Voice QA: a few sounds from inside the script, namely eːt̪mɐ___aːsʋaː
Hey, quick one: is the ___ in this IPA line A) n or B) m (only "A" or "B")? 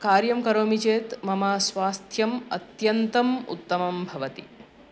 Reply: B